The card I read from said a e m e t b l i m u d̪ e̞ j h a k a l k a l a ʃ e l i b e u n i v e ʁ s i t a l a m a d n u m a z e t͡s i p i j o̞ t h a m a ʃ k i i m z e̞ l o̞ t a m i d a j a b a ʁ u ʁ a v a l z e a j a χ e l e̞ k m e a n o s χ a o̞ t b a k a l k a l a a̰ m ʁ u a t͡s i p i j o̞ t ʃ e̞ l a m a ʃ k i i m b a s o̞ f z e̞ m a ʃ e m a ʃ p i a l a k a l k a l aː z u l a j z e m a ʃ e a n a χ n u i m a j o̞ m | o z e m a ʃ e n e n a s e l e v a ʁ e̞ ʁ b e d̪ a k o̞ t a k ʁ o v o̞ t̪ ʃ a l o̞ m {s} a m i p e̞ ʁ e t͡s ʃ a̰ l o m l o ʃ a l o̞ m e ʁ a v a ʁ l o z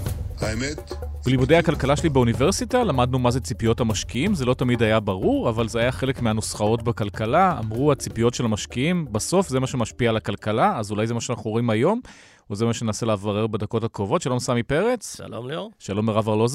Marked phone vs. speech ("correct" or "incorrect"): correct